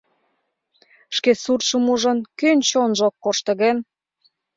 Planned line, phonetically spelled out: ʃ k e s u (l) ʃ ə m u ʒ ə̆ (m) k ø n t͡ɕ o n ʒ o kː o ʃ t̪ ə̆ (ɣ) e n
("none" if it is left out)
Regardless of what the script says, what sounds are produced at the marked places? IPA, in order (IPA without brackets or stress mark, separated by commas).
r, n, ɣ